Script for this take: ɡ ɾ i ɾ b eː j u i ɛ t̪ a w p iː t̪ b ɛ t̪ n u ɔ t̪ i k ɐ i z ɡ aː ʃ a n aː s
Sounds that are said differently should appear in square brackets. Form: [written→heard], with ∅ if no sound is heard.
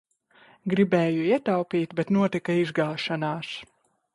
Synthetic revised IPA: ɡ ɾ i [ɾ→∅] b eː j u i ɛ t̪ a w p iː t̪ b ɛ t̪ n u ɔ t̪ i k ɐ i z ɡ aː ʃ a n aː s